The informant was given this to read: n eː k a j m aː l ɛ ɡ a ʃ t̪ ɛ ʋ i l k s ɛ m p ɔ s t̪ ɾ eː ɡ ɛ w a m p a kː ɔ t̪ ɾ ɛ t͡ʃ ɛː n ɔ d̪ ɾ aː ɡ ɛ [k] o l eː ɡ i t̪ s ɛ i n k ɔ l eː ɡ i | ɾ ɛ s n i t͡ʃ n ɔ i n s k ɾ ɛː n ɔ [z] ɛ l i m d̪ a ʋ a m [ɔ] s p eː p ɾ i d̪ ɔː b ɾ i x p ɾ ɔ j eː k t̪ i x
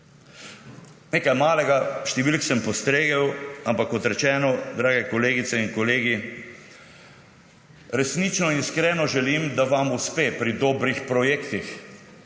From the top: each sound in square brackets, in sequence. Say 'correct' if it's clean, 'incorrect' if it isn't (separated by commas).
correct, incorrect, incorrect